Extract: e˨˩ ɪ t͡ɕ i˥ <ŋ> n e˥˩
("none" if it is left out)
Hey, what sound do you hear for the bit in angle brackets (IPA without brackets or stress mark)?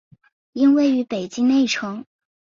ŋ